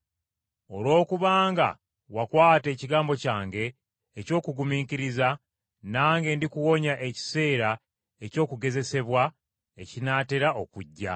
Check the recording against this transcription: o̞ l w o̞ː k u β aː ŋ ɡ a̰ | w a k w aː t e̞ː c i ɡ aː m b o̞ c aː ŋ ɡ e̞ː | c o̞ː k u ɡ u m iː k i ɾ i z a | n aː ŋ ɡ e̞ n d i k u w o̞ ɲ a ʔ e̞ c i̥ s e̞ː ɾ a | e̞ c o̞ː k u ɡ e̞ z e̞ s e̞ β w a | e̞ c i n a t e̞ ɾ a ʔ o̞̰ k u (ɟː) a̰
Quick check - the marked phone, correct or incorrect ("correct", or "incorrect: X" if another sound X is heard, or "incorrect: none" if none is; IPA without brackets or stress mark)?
correct